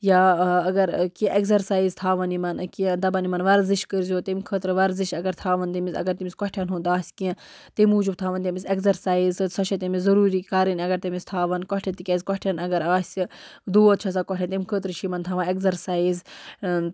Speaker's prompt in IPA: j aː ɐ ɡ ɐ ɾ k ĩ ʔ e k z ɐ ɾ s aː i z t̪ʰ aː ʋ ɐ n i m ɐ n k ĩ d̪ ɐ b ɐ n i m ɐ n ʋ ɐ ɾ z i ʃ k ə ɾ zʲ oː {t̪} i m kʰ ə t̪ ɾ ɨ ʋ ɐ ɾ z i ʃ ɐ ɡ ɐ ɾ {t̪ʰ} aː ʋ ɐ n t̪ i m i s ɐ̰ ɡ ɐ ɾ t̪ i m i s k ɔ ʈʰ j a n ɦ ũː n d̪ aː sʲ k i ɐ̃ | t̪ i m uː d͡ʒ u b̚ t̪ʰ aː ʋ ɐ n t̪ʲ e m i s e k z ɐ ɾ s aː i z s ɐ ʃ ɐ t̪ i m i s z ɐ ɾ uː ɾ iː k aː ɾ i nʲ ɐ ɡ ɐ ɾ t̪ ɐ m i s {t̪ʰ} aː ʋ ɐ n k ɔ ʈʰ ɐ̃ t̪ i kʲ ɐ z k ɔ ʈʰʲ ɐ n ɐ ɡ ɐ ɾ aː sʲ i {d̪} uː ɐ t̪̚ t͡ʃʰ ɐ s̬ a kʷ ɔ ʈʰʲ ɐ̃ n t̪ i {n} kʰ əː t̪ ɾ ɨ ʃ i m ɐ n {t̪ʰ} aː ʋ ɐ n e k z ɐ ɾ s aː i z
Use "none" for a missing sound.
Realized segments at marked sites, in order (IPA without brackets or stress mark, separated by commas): t̪, t̪ʰ, t̪ʰ, d̪, m, t̪ʰ